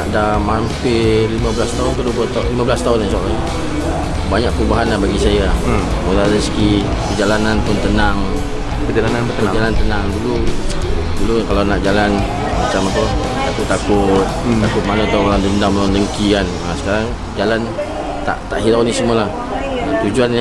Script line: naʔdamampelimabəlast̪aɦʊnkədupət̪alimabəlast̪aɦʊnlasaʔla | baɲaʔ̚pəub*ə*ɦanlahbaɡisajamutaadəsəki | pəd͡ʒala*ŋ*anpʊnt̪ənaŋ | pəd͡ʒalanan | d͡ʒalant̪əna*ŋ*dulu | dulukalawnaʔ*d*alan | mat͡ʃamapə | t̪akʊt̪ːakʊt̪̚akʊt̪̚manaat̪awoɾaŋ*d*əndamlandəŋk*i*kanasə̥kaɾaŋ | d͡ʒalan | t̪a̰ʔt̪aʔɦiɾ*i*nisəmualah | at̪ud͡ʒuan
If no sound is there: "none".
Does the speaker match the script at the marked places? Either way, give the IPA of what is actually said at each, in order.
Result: a, n, ŋ, d͡ʒ, d, i, a

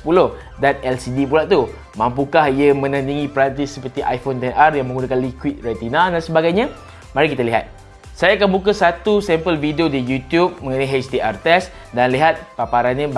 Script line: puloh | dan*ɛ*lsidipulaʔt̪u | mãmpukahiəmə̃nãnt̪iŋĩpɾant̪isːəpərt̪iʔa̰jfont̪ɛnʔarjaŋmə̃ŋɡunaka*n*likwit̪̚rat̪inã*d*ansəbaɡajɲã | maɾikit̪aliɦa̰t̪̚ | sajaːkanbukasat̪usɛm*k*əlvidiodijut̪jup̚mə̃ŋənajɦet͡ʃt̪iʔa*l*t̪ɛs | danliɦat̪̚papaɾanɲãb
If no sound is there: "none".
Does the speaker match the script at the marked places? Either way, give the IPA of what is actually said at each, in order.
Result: ɛ, n, d, p, r

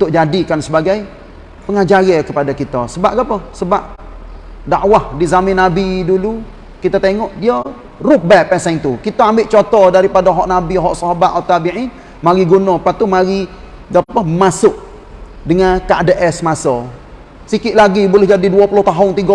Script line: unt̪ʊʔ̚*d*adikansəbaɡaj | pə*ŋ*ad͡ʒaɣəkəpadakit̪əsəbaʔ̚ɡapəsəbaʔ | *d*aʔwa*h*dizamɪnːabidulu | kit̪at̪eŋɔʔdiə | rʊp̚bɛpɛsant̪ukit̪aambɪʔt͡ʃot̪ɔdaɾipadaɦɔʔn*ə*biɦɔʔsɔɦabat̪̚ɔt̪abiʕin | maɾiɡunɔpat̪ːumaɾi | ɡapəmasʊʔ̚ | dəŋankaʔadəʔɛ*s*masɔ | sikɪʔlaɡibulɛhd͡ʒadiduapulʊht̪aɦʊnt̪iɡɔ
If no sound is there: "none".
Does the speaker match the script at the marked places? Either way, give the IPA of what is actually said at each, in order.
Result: d͡ʒ, ŋ, d, h, a, s

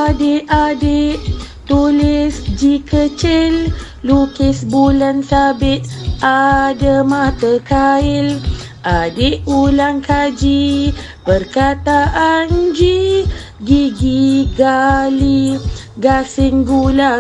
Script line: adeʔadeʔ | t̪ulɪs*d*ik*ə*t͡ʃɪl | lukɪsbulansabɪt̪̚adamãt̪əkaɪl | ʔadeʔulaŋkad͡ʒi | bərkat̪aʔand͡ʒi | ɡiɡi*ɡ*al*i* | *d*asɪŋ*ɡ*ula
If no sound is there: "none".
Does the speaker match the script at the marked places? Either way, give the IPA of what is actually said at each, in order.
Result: d͡ʒ, ə, ɡ, i, ɡ, ɡ

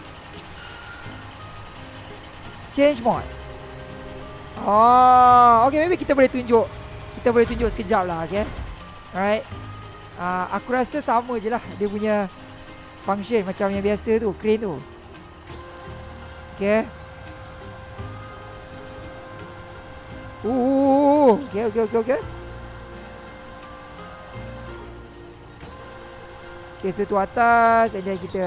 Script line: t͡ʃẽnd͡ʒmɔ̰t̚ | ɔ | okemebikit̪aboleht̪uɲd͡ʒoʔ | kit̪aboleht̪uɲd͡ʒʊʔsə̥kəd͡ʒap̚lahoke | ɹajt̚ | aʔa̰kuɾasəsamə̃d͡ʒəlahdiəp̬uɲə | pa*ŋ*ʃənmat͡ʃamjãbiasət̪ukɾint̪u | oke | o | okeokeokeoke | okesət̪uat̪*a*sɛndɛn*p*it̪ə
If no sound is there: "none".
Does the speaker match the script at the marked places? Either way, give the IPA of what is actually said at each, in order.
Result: ŋ, a, k

